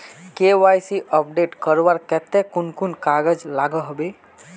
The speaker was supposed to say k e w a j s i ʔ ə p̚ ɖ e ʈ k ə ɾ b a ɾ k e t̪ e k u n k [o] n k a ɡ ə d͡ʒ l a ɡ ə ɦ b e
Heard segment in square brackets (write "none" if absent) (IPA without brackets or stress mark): u